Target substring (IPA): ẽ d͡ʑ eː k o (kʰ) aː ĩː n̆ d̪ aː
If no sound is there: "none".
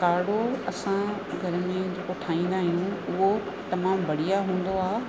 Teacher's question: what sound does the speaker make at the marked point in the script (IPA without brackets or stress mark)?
ʈʰ